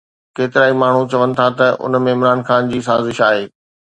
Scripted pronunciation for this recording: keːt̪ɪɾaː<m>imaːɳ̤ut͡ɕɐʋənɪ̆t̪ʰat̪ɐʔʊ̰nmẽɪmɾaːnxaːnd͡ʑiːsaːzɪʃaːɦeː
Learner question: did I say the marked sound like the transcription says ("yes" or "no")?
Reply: no